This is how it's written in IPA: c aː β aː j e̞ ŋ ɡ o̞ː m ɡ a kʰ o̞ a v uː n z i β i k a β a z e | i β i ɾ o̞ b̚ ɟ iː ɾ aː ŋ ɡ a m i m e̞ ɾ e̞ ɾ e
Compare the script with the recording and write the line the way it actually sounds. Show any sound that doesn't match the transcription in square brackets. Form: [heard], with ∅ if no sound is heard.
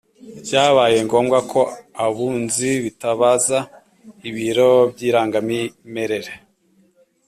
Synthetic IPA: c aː β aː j e̞ ŋ ɡ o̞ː m ɡ a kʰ o̞ a [β] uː n z i β i [t] a β a z [a] | i β i ɾ o̞ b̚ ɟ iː ɾ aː ŋ ɡ a m i m e̞ ɾ e̞ ɾ e